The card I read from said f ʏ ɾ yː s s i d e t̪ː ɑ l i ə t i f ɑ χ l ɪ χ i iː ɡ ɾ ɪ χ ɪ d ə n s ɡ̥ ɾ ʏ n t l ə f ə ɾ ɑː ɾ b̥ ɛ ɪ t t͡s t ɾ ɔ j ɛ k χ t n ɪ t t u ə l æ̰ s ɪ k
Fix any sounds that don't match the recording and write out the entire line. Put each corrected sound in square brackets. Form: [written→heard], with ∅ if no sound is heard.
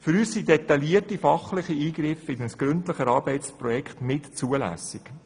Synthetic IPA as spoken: f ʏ ɾ yː s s i d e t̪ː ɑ l i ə t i f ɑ χ l ɪ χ i iː ɡ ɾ ɪ [χ→f] ɪ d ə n s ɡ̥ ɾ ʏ n t l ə [f→χ] ə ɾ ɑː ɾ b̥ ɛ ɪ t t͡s [t→p] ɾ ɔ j ɛ k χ t n ɪ t [t→t͡s] u ə l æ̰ s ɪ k